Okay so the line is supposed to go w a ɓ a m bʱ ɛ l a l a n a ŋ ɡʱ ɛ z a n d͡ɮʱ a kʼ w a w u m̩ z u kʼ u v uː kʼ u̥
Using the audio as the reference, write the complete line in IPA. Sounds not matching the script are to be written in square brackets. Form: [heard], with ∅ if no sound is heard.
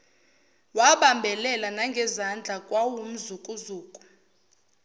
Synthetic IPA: w a ɓ a m bʱ ɛ l [ɛ] l a n a ŋ ɡʱ ɛ z a n d͡ɮʱ a kʼ w a w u m̩ z u kʼ u [z] uː kʼ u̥